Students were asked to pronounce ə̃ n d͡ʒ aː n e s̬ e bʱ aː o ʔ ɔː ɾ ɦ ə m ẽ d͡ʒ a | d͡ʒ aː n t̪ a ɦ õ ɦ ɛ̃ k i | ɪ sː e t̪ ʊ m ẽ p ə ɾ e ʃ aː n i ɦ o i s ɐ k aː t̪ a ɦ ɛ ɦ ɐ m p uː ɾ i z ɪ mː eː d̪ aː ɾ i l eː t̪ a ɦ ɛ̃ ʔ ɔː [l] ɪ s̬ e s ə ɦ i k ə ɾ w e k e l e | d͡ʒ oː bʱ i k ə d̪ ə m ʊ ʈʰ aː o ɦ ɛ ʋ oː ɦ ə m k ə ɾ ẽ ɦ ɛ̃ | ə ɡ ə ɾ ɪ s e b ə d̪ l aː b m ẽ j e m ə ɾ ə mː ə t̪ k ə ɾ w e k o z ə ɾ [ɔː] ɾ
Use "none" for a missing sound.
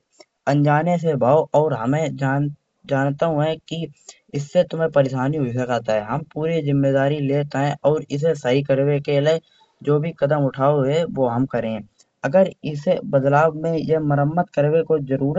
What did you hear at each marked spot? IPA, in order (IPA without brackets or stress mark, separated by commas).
ɾ, uː